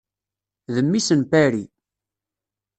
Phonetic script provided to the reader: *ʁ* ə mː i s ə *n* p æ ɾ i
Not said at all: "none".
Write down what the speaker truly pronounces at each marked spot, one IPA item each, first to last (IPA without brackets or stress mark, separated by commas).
ð, n